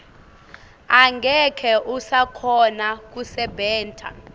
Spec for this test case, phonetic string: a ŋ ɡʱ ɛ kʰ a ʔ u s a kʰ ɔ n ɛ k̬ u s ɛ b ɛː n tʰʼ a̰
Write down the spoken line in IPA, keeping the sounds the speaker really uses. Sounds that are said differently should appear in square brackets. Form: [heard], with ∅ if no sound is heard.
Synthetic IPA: a ŋ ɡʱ ɛ kʰ [ɛ] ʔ u s a kʰ ɔ n [a] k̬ u s ɛ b ɛː n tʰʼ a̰